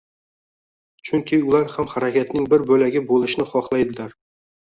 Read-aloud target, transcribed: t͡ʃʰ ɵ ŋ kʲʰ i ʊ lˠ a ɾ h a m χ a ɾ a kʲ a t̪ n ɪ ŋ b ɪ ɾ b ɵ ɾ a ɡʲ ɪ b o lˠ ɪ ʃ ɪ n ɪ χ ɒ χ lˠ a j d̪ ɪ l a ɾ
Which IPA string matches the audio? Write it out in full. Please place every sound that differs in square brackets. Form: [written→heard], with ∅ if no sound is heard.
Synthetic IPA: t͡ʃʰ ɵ ŋ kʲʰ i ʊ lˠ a ɾ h a m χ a ɾ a kʲ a t̪ n ɪ ŋ b ɪ ɾ b ɵ [ɾ→l] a ɡʲ ɪ b o lˠ ɪ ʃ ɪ n ɪ χ ɒ χ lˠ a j d̪ ɪ l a ɾ